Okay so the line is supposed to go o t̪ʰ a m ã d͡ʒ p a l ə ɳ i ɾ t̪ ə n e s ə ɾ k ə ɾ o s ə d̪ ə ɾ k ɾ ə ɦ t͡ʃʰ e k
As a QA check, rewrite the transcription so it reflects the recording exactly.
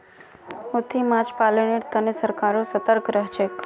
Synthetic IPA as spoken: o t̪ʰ i m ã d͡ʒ p a l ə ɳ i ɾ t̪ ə n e s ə ɾ k a ɾ o s ə t̪ ə ɾ k ɾ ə ɦ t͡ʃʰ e k